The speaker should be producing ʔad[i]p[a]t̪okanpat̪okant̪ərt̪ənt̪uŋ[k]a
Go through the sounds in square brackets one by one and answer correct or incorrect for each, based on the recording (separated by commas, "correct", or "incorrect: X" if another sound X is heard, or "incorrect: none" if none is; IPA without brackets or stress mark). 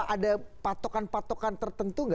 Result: incorrect: a, correct, incorrect: ɡ